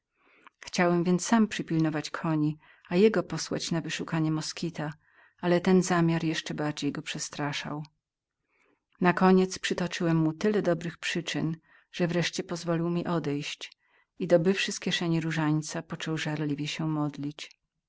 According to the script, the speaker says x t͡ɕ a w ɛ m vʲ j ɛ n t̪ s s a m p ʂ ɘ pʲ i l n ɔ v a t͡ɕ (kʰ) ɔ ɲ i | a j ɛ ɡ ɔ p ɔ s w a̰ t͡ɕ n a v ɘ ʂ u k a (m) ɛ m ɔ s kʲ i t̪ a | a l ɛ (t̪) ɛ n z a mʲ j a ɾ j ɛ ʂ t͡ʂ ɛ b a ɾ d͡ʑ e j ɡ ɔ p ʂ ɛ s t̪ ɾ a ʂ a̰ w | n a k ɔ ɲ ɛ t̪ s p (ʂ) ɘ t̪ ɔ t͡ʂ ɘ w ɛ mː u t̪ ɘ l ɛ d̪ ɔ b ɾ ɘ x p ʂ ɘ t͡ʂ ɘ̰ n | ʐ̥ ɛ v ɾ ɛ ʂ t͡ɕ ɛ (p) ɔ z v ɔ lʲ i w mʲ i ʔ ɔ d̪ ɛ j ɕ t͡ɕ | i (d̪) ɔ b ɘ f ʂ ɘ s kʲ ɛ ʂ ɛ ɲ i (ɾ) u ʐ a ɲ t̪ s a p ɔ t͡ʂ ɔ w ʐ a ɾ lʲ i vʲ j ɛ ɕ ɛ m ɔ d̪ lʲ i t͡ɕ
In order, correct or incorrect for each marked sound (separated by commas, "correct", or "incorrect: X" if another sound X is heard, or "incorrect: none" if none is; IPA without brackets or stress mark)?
correct, incorrect: ɲ, correct, correct, correct, correct, correct